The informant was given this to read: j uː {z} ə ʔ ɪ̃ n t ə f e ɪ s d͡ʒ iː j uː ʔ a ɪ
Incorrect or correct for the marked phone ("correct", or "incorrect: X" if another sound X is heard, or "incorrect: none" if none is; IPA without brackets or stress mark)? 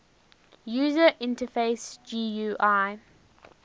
correct